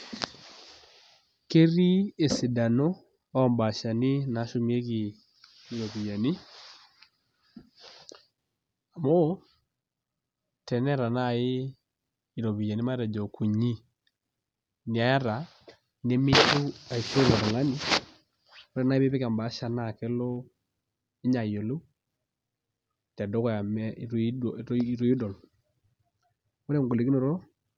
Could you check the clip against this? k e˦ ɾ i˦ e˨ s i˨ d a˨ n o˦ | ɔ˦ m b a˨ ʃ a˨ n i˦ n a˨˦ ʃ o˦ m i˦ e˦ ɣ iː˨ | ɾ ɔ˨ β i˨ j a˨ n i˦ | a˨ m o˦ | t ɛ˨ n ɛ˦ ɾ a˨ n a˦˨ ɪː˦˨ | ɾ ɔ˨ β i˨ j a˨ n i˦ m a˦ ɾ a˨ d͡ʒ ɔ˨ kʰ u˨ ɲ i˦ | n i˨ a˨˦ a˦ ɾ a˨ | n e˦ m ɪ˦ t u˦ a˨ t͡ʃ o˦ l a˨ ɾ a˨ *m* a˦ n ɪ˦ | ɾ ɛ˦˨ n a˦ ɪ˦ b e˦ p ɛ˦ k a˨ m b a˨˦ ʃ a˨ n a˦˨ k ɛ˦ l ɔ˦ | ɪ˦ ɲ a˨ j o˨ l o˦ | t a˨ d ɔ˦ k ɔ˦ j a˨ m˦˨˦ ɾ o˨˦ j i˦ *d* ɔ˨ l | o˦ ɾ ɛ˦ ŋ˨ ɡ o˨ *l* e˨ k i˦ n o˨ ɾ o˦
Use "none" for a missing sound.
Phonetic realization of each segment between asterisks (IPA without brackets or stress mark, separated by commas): ŋ, d, l